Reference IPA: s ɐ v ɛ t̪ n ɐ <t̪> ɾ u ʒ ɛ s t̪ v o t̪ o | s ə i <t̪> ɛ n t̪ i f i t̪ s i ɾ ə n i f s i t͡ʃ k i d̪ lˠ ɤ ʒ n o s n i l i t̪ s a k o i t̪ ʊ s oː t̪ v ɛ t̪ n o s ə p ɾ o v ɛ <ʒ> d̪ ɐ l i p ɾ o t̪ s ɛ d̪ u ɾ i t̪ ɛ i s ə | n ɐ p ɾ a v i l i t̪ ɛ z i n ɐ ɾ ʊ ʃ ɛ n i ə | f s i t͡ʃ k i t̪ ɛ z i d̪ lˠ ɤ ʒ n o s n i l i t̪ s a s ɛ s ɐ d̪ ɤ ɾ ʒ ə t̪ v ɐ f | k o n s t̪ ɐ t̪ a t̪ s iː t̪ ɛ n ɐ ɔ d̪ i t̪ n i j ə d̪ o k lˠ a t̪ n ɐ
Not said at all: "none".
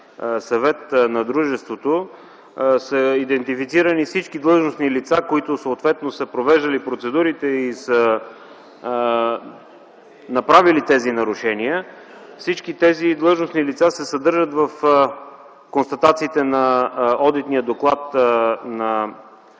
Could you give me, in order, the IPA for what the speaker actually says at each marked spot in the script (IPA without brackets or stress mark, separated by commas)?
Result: d̪, d̪, ʒ